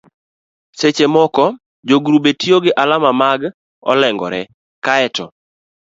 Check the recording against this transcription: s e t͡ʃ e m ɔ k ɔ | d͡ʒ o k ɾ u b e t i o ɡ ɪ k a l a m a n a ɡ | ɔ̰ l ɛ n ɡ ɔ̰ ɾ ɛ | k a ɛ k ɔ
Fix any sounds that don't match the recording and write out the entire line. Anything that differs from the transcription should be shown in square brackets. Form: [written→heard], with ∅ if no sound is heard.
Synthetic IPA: s e t͡ʃ e m ɔ k ɔ | d͡ʒ o [k→ɡ] ɾ u b e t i o ɡ ɪ [k→ʔ] a l a m a [n→m] a ɡ | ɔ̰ l ɛ [n→ŋ] ɡ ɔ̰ ɾ ɛ | k a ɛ [k→t] ɔ